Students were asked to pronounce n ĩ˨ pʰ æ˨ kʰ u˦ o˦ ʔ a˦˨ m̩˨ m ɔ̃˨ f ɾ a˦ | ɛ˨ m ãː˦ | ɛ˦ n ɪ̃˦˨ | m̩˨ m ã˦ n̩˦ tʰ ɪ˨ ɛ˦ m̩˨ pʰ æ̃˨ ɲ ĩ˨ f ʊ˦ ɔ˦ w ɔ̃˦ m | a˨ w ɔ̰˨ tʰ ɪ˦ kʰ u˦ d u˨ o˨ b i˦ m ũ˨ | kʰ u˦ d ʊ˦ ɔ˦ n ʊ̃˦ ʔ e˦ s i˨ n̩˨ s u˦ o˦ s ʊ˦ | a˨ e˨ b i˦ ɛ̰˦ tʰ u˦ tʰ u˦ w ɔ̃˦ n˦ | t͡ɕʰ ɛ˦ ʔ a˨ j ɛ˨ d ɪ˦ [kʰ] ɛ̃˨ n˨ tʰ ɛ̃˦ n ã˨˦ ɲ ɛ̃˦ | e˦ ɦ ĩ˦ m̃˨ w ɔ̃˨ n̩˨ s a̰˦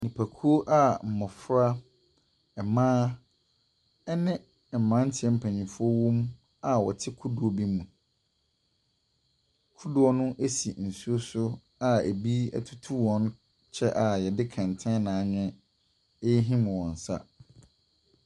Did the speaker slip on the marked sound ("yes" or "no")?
no